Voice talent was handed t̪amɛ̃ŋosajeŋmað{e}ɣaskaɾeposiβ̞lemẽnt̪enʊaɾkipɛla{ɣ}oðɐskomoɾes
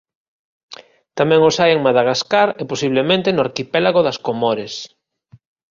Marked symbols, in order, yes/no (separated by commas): no, yes